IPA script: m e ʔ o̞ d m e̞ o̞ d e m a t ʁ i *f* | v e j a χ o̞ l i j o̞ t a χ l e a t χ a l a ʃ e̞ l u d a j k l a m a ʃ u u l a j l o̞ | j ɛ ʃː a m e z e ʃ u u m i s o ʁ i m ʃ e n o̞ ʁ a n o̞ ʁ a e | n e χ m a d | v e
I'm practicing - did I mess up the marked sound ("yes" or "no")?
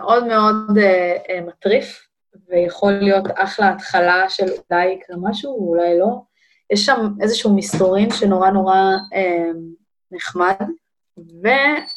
no